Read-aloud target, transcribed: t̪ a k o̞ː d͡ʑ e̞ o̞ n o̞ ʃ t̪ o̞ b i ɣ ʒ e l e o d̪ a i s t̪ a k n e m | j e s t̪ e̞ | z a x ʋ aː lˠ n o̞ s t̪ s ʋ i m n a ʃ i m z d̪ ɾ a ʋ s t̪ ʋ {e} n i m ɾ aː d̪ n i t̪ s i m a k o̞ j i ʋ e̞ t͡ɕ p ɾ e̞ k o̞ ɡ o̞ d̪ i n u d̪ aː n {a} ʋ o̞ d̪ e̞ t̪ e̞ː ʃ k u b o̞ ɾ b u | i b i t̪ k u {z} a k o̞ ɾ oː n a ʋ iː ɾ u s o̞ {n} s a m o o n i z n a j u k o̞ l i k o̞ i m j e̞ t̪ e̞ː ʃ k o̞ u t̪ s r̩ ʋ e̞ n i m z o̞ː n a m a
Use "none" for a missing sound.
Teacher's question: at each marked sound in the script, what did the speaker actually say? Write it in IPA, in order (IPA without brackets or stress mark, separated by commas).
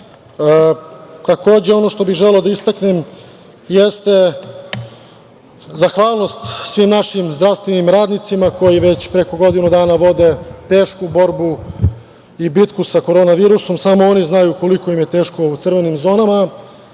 e, a, s, m